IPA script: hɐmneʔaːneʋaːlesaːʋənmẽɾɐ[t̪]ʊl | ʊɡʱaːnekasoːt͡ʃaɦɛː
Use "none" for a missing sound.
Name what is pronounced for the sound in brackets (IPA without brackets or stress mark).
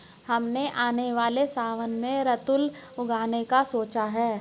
t̪